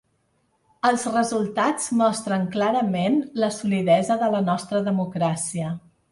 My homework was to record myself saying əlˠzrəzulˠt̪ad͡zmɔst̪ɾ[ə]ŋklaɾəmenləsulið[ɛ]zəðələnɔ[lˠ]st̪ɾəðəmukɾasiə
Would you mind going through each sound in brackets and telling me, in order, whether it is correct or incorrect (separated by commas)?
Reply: correct, correct, incorrect